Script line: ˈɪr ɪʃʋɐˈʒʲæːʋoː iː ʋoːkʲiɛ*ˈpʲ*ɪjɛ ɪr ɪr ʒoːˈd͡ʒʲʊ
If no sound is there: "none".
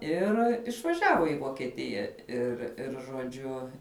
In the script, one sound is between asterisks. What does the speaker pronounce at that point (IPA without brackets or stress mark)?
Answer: tʲ